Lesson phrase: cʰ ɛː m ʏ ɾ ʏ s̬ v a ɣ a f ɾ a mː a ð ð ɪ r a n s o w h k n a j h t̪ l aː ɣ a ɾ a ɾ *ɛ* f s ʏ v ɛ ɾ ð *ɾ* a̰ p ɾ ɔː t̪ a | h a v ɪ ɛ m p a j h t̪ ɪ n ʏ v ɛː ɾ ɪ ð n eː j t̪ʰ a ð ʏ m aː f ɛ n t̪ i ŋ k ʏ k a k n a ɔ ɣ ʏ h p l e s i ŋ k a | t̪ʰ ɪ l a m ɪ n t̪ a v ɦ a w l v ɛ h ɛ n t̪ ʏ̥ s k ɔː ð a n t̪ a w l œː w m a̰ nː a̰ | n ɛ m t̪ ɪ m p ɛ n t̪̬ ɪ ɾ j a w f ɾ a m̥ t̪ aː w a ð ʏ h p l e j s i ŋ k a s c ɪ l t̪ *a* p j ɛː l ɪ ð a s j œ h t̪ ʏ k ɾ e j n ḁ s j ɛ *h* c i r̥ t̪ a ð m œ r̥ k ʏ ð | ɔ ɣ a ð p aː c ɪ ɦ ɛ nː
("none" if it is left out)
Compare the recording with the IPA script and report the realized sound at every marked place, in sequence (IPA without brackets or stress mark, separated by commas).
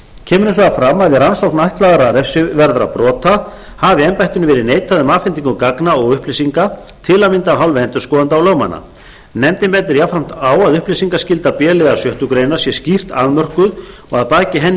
ɛ, ɾ, a, s